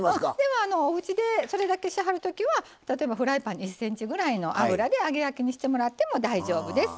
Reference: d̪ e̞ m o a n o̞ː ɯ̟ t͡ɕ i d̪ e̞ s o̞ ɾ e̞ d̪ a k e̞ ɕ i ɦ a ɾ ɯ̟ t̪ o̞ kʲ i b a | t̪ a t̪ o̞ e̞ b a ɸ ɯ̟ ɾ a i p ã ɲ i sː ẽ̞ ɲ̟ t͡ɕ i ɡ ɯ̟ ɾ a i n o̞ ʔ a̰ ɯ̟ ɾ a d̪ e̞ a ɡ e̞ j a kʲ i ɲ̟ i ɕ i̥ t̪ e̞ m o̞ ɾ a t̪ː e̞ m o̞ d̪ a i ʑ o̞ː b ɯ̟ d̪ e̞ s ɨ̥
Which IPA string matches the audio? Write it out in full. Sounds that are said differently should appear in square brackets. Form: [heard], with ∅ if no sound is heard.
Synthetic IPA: d̪ e̞ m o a n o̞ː ɯ̟ t͡ɕ i d̪ e̞ s o̞ ɾ e̞ d̪ a k e̞ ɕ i ɦ a ɾ ɯ̟ t̪ o̞ kʲ i [β] a | t̪ a t̪ o̞ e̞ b a ɸ ɯ̟ ɾ a i p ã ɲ i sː ẽ̞ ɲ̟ t͡ɕ i ɡ ɯ̟ ɾ a i n o̞ ʔ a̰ ɯ̟ ɾ a d̪ e̞ a ɡ e̞ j a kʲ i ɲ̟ i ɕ i̥ t̪ e̞ m o̞ ɾ a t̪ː e̞ m o̞ d̪ a i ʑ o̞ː b ɯ̟ d̪ e̞ s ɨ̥